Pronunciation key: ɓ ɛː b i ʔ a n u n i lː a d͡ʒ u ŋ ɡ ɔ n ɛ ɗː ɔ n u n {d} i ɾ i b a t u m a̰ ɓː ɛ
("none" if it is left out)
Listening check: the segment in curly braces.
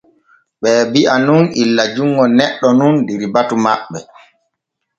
d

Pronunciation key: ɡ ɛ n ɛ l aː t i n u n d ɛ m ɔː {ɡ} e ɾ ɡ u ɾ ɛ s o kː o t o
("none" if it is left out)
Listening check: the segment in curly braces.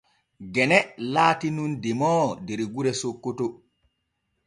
d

